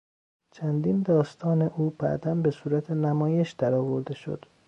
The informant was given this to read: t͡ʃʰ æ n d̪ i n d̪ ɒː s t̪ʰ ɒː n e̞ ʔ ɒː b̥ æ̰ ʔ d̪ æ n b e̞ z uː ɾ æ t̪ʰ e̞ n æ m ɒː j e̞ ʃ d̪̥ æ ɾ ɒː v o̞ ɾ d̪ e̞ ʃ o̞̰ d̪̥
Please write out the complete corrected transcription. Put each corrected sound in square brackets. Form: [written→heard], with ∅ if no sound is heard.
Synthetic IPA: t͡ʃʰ æ n d̪ i n d̪ ɒː s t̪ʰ ɒː n e̞ ʔ [ɒː→uː] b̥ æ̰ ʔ d̪ æ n b e̞ [z→s] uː ɾ æ t̪ʰ e̞ n æ m ɒː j e̞ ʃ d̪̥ æ ɾ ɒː v o̞ ɾ d̪ e̞ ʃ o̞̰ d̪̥

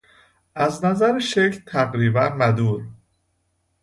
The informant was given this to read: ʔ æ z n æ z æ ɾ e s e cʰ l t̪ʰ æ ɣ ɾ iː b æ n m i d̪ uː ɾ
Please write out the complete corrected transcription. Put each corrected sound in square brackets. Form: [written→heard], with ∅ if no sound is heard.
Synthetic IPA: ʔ æ z n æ z æ ɾ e [s→ʃ] e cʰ l t̪ʰ æ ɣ ɾ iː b æ n m [i→æ] d̪ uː ɾ

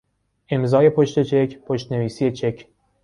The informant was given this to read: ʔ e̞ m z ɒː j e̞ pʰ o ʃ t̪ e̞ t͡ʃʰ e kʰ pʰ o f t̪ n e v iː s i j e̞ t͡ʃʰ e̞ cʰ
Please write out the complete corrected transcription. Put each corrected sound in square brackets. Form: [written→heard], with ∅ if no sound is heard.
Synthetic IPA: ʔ e̞ m z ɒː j e̞ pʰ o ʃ t̪ e̞ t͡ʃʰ e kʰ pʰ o [f→ʃ] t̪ n e v iː s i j e̞ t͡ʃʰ e̞ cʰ

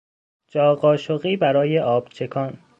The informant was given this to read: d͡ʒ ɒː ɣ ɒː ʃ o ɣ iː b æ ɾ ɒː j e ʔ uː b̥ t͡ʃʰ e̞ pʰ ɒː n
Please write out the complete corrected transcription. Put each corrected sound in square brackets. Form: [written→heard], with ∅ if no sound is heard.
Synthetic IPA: d͡ʒ ɒː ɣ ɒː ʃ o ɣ iː b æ ɾ ɒː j e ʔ [uː→ɒː] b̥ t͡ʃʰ e̞ [pʰ→kʰ] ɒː n

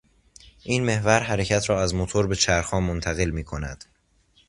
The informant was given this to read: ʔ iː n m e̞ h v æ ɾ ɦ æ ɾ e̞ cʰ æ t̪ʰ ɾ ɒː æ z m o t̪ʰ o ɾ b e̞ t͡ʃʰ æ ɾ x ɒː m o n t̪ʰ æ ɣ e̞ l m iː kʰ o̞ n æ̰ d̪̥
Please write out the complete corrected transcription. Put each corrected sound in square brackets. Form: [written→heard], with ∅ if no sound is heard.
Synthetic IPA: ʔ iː n m e̞ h v æ ɾ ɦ æ ɾ e̞ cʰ æ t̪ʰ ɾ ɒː æ z m o t̪ʰ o ɾ b e̞ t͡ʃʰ æ ɾ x ɒː m o n t̪ʰ æ ɣ e̞ l m iː kʰ o̞ n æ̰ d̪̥

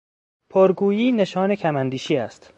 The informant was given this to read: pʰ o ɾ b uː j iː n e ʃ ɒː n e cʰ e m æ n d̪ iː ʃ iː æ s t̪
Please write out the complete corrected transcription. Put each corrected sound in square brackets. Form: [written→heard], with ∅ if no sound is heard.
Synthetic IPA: pʰ o ɾ [b→ɡ] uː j iː n e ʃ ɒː n e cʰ [e→æ] m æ n d̪ iː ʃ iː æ s t̪

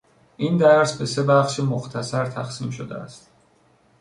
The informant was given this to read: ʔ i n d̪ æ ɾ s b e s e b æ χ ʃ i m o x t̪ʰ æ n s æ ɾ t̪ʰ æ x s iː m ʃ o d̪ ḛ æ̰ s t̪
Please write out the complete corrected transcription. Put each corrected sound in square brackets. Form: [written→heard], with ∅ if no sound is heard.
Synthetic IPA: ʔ i n d̪ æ ɾ s b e s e b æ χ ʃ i m o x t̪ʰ æ [n→∅] s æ ɾ t̪ʰ æ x s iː m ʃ o d̪ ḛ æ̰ s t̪

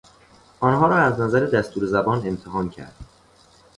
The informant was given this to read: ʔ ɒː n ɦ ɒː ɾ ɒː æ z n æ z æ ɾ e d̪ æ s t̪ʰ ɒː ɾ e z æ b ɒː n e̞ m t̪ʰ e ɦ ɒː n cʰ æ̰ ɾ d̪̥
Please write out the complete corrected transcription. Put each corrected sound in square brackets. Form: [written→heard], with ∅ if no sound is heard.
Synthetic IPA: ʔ ɒː n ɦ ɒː ɾ ɒː æ z n æ z æ ɾ e d̪ æ s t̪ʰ [ɒː→uː] ɾ e z æ b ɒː n e̞ m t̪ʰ e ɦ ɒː n cʰ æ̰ ɾ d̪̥

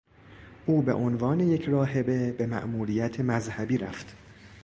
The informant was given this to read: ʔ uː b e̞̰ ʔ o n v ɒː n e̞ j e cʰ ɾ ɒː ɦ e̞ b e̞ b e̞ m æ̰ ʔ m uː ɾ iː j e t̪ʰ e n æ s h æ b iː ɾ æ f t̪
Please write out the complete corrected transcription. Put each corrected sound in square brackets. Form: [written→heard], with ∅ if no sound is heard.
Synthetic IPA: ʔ uː b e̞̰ ʔ o n v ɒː n e̞ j e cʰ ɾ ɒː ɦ e̞ b e̞ b e̞ m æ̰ ʔ m uː ɾ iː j [e→æ] t̪ʰ e [n→m] æ [s→z] h æ b iː ɾ æ f t̪

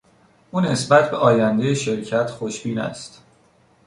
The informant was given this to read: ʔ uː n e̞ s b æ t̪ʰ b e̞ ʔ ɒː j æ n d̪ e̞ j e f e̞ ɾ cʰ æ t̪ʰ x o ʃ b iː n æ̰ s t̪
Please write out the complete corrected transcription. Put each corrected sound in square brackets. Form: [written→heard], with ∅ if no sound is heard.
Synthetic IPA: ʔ uː n e̞ s b æ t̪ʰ b e̞ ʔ ɒː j æ n d̪ e̞ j e [f→ʃ] e̞ ɾ cʰ æ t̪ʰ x o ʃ b iː n æ̰ s t̪

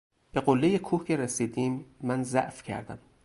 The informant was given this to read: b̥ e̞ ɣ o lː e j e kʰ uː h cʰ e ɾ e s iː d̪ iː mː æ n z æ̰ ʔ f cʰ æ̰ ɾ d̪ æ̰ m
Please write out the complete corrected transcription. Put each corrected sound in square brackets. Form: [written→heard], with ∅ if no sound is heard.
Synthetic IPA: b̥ e̞ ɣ o lː e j e kʰ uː h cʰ e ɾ e s iː d̪ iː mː æ n z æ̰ ʔ f cʰ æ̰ ɾ d̪ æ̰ m

